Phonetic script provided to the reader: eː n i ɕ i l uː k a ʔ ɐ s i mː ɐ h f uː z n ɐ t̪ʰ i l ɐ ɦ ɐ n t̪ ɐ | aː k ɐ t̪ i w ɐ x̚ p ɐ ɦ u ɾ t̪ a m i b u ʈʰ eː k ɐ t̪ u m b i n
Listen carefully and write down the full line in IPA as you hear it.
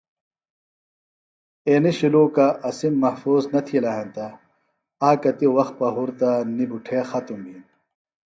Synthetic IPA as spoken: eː n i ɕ i l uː k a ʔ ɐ s i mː ɐ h f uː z n ɐ t̪ʰ i l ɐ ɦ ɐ n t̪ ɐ | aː k ɐ t̪ i w ɐ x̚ p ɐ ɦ u ɾ t̪ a n i b u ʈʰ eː x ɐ t̪ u m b i n

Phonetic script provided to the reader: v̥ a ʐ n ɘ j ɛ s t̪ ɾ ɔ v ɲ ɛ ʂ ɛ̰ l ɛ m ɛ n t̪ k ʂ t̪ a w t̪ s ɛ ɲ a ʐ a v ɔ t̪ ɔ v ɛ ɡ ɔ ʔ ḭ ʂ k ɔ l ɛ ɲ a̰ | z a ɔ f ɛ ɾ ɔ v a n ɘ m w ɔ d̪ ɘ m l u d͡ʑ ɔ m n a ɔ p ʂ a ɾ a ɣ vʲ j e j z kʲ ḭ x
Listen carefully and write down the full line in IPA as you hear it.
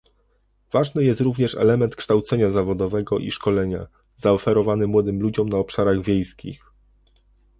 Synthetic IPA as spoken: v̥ a ʐ n ɘ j ɛ s t̪ ɾ u v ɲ ɛ ʂ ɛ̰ l ɛ m ɛ n t̪ k ʂ t̪ a w t̪ s ɛ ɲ a z a v ɔ d̪ ɔ v ɛ ɡ ɔ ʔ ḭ ʂ k ɔ l ɛ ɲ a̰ | z a ɔ f ɛ ɾ ɔ v a n ɘ m w ɔ d̪ ɘ m l u d͡ʑ ɔ m n a ɔ p ʂ a ɾ a ɣ vʲ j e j s kʲ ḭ x

